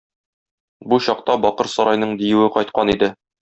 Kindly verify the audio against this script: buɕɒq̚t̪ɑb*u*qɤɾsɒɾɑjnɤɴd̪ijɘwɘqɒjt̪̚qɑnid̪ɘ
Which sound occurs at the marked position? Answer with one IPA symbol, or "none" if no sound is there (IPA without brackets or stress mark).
ɒ